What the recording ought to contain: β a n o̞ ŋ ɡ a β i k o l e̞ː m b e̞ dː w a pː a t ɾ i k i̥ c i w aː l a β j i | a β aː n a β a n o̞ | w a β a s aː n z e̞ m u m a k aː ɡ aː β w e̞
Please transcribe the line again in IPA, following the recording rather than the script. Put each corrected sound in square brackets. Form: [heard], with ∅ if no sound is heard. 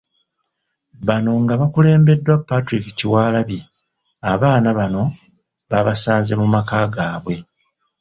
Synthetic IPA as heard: β a n o̞ ŋ ɡ a β [a] k [u] l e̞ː m b e̞ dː w a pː a t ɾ i k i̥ c i w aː l a β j i | a β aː n a β a n o̞ | [β] a β a s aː n z e̞ m u m a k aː ɡ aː β w e̞